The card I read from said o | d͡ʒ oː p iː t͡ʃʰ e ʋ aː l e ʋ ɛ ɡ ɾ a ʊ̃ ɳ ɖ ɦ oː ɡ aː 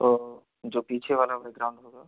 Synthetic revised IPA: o | d͡ʒ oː p iː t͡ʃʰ e ʋ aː l a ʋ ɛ ɡ ɾ a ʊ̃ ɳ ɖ ɦ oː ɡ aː